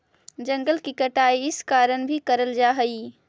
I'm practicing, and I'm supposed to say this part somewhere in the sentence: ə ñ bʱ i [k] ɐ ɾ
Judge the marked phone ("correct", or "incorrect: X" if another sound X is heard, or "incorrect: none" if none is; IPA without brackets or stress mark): correct